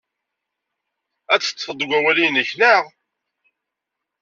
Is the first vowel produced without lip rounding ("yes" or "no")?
yes